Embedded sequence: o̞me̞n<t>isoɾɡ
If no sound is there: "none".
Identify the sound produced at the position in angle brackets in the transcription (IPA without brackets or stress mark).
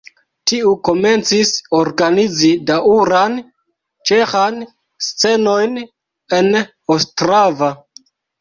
t͡s